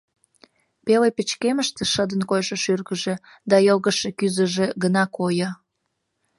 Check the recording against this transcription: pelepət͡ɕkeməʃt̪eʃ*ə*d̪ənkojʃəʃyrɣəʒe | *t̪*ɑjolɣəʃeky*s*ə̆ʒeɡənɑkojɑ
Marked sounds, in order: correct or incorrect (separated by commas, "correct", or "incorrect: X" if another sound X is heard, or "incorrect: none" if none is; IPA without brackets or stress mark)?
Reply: correct, incorrect: d̪, incorrect: z